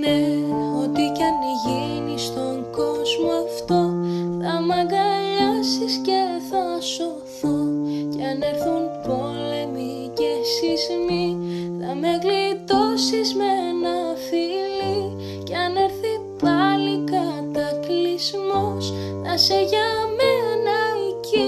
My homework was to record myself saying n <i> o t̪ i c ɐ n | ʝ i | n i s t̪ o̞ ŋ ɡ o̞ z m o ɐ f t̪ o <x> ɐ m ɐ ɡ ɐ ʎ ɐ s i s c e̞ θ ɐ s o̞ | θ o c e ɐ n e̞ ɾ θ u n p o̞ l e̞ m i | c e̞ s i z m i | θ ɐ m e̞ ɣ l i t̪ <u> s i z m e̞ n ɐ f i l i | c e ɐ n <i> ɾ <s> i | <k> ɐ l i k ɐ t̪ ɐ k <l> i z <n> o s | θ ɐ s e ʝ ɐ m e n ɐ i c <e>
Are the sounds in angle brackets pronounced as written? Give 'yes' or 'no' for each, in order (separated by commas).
no, no, no, no, no, no, yes, no, no